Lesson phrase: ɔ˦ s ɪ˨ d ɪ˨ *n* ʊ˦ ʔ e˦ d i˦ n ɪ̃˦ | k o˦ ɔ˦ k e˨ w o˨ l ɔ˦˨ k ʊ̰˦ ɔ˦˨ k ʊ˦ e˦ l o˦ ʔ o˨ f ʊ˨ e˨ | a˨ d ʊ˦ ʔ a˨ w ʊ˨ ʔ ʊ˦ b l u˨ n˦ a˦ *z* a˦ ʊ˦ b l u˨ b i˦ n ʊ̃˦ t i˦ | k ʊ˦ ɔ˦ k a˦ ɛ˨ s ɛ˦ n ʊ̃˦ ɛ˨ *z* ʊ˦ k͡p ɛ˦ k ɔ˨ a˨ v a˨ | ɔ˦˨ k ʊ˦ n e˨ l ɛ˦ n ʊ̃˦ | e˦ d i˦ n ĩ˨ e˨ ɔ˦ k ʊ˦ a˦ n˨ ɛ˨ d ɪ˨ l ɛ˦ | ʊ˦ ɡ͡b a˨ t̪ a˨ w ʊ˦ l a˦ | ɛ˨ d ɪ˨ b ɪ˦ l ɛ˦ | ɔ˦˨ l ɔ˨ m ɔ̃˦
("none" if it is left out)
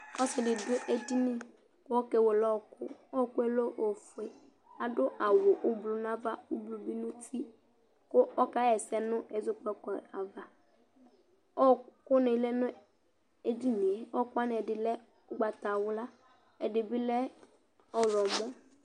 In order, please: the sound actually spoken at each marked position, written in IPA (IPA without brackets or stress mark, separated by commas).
d, v, z